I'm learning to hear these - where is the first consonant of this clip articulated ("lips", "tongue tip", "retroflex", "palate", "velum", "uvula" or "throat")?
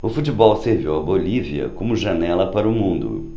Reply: lips